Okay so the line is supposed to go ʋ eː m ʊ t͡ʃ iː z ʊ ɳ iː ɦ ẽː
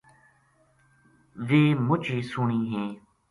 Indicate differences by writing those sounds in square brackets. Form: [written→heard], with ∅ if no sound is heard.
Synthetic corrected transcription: ʋ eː m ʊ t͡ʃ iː [z→s] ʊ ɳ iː ɦ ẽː